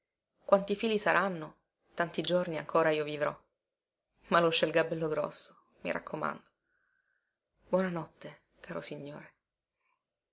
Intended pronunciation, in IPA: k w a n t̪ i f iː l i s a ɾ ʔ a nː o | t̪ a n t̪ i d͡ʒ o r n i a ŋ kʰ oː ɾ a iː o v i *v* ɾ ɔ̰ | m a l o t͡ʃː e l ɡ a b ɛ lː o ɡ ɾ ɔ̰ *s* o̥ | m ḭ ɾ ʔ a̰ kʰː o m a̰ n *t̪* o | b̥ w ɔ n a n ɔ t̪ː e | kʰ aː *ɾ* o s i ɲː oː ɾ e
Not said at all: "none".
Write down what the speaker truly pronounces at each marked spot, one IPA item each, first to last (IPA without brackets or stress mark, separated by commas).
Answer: v, sː, d̪, ɾ